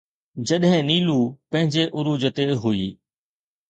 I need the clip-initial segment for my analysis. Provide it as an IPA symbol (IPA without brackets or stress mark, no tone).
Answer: d͡ʑ